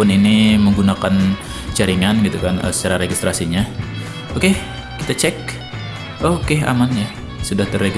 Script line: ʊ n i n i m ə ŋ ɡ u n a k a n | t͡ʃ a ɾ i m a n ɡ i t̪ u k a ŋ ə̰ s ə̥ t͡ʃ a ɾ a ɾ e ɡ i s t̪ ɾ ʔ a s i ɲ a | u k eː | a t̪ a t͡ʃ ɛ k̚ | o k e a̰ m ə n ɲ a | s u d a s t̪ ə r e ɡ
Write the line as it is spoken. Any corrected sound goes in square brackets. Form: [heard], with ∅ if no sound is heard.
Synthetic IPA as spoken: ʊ n i n i m ə ŋ ɡ u n a k a n | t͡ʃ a ɾ i [ŋ] a n ɡ i t̪ u k a [n] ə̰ s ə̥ t͡ʃ a ɾ a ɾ e ɡ i s t̪ ɾ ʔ a s i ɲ a | [o] k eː | [i] t̪ a t͡ʃ ɛ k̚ | o k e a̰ m [a] n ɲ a | s u d a [h] t̪ ə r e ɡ